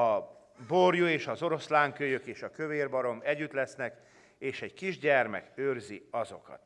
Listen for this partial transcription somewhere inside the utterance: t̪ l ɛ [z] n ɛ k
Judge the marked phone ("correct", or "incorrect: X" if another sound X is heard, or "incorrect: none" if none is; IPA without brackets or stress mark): incorrect: s